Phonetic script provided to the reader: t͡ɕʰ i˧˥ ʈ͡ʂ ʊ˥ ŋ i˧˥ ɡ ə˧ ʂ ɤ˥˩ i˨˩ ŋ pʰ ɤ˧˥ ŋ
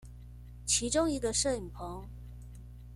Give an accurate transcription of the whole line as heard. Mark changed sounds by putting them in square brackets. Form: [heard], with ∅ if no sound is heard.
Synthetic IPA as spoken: t͡ɕʰ i˧˥ ʈ͡ʂ ʊ˥ ŋ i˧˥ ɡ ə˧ ʂ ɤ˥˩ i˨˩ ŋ pʰ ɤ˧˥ ŋ